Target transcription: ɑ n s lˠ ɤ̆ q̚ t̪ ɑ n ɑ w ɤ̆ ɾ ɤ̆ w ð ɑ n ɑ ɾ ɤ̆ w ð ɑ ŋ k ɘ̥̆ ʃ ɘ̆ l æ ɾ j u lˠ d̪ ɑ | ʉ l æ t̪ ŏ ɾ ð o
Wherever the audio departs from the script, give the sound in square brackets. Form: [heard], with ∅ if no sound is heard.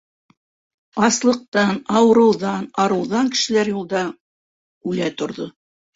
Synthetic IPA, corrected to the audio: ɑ [∅] s lˠ ɤ̆ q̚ t̪ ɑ n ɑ w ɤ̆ ɾ ɤ̆ w ð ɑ n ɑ ɾ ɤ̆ w ð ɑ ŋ k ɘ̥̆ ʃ ɘ̆ l æ ɾ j u lˠ d̪ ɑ | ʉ l æ t̪ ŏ ɾ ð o